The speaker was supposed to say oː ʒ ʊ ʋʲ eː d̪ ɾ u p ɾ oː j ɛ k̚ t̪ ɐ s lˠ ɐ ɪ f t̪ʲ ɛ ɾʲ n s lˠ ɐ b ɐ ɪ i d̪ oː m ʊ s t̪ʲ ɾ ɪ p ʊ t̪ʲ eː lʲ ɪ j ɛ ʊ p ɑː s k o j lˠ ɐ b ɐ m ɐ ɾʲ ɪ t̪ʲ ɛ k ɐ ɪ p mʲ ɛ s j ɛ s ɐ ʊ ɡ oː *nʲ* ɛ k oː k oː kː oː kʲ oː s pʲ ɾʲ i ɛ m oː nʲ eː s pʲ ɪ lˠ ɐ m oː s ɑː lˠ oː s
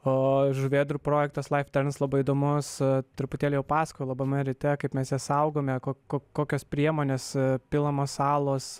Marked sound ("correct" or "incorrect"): incorrect